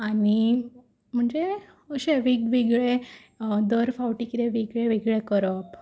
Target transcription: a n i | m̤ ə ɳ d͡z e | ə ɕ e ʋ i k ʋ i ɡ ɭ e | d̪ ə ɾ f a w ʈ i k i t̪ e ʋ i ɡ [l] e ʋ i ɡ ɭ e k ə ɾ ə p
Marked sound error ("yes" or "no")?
yes